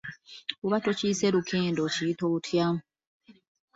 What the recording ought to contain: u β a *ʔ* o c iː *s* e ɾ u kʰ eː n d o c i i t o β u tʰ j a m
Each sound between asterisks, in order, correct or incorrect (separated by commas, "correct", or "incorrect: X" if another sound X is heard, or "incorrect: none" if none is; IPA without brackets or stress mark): incorrect: t, correct